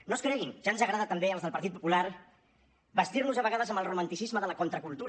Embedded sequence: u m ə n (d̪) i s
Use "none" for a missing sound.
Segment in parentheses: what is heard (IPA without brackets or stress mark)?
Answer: t̪